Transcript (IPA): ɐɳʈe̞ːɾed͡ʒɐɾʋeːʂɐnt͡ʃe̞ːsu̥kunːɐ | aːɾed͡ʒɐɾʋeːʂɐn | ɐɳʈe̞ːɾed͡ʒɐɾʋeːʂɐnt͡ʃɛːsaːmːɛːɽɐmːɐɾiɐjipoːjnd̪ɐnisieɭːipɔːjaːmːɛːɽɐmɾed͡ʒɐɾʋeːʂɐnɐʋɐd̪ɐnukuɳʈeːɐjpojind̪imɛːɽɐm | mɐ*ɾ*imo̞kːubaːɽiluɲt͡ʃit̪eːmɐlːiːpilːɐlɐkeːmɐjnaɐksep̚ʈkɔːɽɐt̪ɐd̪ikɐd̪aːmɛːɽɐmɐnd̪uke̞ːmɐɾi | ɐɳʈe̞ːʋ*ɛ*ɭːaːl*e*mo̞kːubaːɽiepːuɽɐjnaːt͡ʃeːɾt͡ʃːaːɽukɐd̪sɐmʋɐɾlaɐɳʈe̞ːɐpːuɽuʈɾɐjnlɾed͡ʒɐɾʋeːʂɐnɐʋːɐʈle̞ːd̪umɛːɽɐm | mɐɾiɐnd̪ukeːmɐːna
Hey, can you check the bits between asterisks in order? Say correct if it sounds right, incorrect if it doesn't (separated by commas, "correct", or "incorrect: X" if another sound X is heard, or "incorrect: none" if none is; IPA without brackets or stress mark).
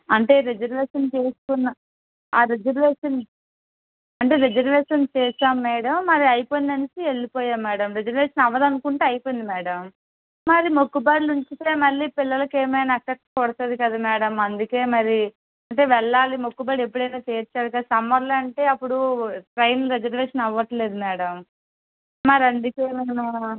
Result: correct, correct, incorrect: i